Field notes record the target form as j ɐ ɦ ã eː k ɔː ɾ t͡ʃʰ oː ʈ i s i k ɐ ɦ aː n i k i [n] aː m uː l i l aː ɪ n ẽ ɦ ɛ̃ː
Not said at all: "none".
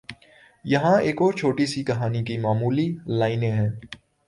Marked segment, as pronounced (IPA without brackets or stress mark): m